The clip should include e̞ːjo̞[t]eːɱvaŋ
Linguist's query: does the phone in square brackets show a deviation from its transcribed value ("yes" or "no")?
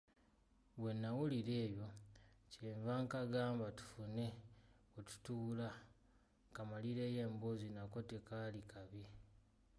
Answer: yes